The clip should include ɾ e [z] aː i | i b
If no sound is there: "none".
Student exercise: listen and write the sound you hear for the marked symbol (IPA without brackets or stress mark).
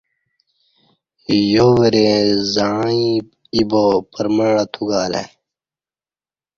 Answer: z